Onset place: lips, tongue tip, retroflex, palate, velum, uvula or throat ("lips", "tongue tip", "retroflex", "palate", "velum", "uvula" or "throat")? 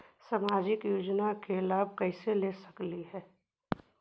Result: tongue tip